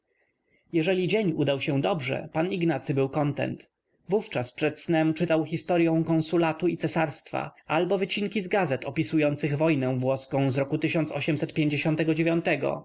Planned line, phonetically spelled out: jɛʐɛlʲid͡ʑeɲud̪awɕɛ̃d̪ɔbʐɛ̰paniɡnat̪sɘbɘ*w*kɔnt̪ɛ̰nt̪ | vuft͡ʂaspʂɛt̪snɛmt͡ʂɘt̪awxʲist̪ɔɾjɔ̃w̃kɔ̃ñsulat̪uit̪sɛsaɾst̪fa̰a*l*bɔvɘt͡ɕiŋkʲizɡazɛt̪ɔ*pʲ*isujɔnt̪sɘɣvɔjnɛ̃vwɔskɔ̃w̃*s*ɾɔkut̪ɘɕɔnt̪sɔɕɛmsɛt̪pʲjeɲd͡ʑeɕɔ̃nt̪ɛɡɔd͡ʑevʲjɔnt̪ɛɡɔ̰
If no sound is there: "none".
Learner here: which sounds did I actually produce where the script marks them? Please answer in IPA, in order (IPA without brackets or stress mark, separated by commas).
w, l, pʲ, z